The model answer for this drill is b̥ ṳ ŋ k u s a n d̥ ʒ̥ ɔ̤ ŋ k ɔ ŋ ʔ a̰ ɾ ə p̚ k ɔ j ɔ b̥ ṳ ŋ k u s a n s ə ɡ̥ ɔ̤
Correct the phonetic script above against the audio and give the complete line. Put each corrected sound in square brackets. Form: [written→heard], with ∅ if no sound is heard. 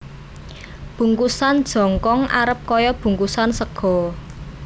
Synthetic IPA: b̥ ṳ ŋ k u s a n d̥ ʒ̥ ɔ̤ ŋ k ɔ ŋ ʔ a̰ ɾ ə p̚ k ɔ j ɔ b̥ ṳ ŋ k u s a n s ə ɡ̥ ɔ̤